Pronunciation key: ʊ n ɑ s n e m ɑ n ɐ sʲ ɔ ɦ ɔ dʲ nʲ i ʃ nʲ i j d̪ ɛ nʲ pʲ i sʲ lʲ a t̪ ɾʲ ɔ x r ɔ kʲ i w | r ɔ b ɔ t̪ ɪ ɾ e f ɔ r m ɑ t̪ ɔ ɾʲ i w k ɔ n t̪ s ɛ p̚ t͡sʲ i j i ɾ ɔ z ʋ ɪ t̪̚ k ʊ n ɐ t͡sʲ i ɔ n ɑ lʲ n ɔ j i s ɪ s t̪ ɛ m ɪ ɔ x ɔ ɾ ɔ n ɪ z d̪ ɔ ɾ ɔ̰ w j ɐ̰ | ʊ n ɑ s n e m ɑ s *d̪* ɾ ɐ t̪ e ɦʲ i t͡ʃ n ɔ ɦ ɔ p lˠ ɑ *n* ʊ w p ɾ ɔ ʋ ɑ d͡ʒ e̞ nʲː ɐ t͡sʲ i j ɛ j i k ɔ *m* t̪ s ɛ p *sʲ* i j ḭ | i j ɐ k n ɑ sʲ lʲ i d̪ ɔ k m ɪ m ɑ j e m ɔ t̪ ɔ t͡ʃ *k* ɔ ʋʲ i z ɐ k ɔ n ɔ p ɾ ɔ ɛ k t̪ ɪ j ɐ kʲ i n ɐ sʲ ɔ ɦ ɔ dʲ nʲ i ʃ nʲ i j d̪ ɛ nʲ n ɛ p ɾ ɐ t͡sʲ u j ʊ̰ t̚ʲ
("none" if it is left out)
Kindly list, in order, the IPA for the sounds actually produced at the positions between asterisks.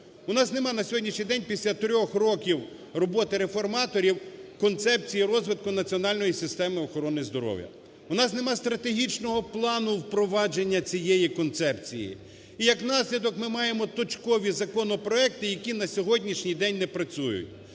t̪, n, n, t͡sʲ, k

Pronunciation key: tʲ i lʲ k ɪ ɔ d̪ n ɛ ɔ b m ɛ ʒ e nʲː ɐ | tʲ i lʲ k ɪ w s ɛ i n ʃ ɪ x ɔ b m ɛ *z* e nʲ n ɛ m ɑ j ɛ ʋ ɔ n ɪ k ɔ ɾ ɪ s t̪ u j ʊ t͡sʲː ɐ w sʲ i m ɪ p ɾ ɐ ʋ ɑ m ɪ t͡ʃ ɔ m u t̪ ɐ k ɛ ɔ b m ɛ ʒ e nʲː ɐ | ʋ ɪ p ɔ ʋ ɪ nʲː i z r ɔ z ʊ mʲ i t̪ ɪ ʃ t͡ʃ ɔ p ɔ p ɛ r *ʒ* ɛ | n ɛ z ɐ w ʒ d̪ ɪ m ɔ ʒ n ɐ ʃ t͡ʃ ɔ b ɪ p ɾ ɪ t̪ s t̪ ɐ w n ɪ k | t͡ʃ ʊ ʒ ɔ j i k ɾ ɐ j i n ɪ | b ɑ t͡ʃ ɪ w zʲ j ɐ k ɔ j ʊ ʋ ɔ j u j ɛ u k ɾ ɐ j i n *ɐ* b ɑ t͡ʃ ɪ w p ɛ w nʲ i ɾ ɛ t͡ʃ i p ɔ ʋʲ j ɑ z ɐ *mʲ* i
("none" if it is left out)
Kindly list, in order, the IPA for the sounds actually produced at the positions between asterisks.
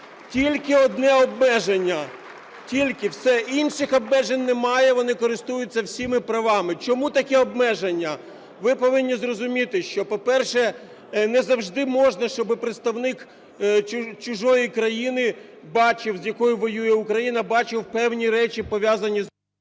ʒ, ʃ, ɐ, nʲ

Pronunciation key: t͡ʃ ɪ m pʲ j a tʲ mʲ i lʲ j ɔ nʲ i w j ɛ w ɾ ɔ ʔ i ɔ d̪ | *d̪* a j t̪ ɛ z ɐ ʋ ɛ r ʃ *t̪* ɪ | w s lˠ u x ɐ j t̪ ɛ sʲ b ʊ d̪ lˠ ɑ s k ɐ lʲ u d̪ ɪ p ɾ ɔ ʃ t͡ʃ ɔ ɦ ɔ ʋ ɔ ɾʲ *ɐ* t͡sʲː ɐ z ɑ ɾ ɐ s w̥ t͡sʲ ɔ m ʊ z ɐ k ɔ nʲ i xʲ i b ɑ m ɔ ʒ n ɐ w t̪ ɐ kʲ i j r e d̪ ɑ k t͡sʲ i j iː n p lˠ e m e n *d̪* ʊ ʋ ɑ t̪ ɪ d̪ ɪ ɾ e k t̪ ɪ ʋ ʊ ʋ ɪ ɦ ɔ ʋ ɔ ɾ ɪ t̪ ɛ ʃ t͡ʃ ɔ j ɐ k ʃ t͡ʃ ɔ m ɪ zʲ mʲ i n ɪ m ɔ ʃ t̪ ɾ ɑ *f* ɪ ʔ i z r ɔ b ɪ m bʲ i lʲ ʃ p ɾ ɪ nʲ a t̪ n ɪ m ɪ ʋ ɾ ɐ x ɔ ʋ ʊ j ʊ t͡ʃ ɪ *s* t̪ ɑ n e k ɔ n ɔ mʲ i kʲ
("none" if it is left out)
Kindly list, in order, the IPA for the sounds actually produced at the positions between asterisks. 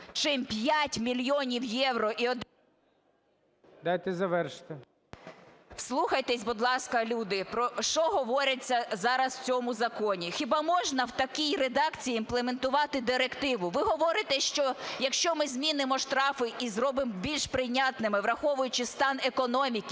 d̪, t̪, ɐ, t̪, f, s

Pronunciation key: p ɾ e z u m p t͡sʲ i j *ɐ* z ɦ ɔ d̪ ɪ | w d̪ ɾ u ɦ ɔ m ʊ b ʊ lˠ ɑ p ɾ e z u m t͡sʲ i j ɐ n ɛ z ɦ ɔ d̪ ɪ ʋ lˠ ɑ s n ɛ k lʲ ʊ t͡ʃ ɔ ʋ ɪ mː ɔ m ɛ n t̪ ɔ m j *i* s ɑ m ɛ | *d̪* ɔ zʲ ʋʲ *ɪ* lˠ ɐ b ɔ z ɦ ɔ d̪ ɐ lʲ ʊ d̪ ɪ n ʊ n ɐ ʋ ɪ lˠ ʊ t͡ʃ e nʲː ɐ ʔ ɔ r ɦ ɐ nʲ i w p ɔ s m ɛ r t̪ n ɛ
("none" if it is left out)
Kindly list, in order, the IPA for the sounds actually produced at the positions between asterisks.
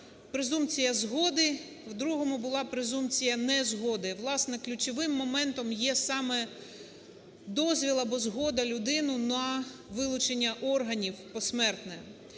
ɐ, ɛ, d̪, i

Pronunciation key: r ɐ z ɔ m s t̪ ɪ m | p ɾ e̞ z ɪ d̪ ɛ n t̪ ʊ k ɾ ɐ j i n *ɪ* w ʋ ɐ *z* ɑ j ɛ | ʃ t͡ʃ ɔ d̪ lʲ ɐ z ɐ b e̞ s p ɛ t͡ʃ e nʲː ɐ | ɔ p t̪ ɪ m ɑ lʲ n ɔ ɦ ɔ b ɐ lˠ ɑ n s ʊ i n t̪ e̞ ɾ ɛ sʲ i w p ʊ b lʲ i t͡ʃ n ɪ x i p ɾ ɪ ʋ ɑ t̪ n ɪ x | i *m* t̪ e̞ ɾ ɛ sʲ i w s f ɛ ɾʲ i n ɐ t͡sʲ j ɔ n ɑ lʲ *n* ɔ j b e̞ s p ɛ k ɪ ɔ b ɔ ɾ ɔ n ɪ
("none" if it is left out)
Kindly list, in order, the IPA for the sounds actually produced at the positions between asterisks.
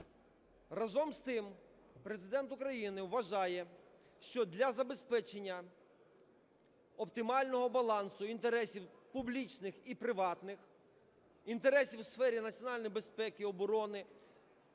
ɪ, ʒ, n, n

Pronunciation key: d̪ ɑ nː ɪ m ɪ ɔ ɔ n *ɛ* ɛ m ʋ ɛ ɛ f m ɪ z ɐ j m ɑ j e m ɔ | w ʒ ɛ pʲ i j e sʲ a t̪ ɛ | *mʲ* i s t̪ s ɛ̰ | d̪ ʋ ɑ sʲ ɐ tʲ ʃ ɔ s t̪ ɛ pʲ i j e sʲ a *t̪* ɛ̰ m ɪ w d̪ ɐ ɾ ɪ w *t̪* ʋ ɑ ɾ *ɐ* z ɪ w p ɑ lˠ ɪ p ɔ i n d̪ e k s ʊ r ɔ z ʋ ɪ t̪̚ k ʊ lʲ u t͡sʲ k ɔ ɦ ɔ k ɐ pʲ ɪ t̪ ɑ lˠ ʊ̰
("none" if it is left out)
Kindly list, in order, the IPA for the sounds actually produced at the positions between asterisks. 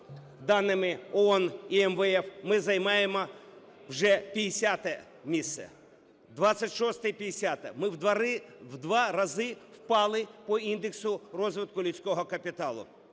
i, mʲ, t̪, d̪, ɐ

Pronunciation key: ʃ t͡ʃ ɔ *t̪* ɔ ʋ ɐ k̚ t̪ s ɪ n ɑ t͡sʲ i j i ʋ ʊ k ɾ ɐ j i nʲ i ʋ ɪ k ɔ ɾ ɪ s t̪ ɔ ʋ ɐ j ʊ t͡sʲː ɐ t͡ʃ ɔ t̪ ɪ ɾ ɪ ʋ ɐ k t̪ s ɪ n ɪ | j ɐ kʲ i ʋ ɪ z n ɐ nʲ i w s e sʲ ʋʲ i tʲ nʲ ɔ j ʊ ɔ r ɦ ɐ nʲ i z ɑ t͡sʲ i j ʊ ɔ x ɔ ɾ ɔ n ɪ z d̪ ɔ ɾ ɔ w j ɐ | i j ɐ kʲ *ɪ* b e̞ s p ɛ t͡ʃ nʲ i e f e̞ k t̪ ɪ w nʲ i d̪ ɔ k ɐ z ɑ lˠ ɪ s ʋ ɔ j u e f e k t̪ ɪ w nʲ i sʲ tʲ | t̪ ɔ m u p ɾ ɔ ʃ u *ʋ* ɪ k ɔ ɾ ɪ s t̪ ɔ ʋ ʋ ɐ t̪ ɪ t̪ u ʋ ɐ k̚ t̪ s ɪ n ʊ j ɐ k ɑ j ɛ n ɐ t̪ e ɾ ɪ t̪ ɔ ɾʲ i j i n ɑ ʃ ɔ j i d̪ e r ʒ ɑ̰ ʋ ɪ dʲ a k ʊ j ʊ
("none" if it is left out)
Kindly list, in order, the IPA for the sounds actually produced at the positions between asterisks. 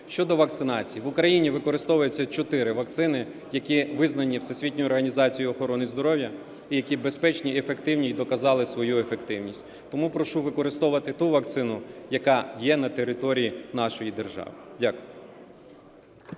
d̪, i, ʋ

